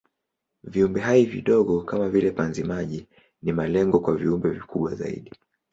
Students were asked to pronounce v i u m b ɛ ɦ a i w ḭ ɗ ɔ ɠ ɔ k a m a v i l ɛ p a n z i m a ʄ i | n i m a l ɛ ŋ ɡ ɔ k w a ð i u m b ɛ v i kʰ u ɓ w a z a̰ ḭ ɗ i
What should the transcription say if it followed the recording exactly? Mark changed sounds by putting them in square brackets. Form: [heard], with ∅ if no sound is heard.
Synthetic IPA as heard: v i u m b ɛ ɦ a i [v] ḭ ɗ ɔ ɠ ɔ k a m a v i l ɛ p a n z i m a ʄ i | n i m a l ɛ ŋ ɡ ɔ k w a [v] i u m b ɛ v i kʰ u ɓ w a z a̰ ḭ ɗ i